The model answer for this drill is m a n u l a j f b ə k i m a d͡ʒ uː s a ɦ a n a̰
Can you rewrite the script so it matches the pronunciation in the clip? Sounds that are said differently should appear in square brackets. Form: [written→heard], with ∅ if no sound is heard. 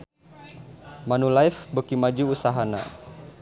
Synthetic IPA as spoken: m a n u l a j f b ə k i m a d͡ʒ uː s a ɦ a n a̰